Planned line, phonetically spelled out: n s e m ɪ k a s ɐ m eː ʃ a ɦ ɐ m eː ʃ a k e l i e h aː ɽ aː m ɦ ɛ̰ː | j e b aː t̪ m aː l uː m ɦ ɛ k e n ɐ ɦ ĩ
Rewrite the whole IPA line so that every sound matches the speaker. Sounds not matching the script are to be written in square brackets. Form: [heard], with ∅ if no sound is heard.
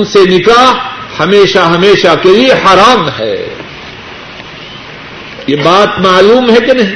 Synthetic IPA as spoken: n s e [n] ɪ k a [h] ɐ m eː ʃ a ɦ ɐ m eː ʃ a k e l i e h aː [ɾ] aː m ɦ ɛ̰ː | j e b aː t̪ m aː l uː m ɦ ɛ k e n ɐ ɦ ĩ